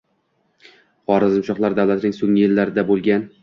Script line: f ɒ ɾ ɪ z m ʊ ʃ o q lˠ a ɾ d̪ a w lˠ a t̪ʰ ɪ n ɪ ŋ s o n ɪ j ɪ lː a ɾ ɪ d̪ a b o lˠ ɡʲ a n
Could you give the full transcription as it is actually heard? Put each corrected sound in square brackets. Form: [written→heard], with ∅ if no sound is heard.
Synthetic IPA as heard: [f→χ] ɒ ɾ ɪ z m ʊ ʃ [o→ɒ] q lˠ a ɾ d̪ a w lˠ a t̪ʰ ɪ n ɪ ŋ s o [n→ŋ] ɪ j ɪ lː a ɾ ɪ d̪ a b o lˠ ɡʲ a n

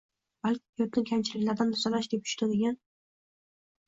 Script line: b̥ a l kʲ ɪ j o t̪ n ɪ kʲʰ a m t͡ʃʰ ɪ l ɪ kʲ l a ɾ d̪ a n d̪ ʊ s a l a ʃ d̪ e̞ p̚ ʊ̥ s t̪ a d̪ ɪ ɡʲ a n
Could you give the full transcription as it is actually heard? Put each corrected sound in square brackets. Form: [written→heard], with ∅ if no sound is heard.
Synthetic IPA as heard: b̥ a l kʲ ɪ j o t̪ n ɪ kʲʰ a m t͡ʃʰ ɪ l ɪ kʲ l a ɾ d̪ a n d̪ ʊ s a l a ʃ d̪ e̞ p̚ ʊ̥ [s→ʃ] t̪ a d̪ ɪ ɡʲ a n

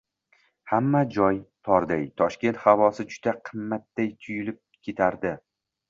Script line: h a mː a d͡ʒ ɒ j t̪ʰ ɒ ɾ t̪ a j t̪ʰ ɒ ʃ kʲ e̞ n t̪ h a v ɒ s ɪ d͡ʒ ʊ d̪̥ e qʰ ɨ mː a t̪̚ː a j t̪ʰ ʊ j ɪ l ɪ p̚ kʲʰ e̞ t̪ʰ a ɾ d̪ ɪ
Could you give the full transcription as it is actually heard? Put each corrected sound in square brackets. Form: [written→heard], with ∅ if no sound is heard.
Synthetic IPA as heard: h a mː a d͡ʒ ɒ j t̪ʰ ɒ ɾ [t̪→d̪] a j t̪ʰ ɒ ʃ kʲ e̞ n t̪ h a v ɒ s ɪ d͡ʒ ʊ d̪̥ [e→a] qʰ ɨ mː a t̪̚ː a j t̪ʰ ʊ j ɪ l ɪ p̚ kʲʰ e̞ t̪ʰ a ɾ d̪ ɪ

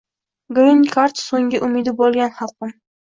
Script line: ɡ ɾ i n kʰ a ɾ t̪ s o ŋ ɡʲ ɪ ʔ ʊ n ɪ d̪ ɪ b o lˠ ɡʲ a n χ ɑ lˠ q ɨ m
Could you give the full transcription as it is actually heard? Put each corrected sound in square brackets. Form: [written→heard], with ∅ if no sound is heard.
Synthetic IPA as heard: ɡ ɾ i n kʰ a ɾ t̪ s o ŋ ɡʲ ɪ ʔ ʊ [n→m] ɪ d̪ ɪ b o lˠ ɡʲ a n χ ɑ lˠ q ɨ m

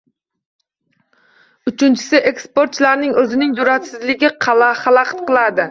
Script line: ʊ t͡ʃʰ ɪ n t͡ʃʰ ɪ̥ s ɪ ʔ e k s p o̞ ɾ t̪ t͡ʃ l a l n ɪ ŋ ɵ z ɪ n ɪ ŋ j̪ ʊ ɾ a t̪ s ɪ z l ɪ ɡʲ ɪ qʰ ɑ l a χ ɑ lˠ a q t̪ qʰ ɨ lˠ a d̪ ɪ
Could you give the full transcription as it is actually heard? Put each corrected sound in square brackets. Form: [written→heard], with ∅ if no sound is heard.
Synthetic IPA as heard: ʊ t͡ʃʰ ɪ n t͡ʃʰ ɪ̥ s ɪ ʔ e k s p o̞ ɾ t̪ t͡ʃ l a [l→ɾ] n ɪ ŋ ɵ z ɪ n ɪ ŋ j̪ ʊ ɾ a t̪ s ɪ z l ɪ ɡʲ ɪ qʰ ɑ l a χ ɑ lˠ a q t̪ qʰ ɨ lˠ a d̪ ɪ

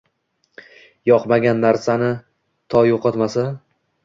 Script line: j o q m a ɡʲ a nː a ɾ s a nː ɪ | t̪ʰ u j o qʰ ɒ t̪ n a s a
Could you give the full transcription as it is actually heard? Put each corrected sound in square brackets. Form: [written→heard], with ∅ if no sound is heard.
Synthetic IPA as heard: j [o→ɒ] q m a ɡʲ a nː a ɾ s a [nː→n] ɪ | t̪ʰ [u→ɒ] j o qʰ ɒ t̪ [n→m] a s a

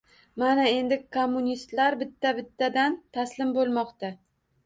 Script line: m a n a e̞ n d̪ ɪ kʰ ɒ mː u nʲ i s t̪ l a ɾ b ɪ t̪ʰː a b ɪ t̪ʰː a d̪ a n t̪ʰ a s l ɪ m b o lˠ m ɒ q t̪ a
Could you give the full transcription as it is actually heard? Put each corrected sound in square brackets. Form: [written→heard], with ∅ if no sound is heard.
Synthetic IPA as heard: m a n a e̞ n d̪ ɪ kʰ [ɒ→o] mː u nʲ i s t̪ l a ɾ b ɪ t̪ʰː a b ɪ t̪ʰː a d̪ a n t̪ʰ a s l ɪ m b o lˠ m ɒ q t̪ a

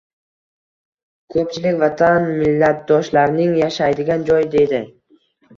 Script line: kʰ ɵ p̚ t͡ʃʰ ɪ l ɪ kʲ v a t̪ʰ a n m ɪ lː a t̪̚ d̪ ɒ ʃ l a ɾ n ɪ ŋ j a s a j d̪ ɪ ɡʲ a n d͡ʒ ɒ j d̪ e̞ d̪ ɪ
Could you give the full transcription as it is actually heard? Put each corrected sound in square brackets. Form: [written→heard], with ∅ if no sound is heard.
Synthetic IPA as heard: kʰ ɵ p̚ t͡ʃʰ ɪ l ɪ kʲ v a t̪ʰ a n m ɪ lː a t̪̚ d̪ ɒ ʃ l a ɾ n ɪ ŋ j a [s→ʃ] a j d̪ ɪ ɡʲ a n d͡ʒ ɒ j d̪ e̞ d̪ ɪ

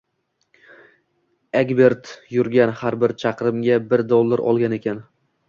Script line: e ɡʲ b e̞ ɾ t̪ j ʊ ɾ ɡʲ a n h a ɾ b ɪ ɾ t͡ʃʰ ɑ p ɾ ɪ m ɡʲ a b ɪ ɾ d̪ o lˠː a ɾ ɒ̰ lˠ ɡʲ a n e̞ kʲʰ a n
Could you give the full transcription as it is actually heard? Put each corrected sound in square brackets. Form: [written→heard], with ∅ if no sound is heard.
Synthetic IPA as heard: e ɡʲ b e̞ ɾ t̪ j ʊ ɾ ɡʲ a n h a ɾ b ɪ ɾ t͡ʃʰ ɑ [p→q] ɾ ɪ m ɡʲ a b ɪ ɾ d̪ o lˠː a ɾ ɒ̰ lˠ ɡʲ a n e̞ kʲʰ a n

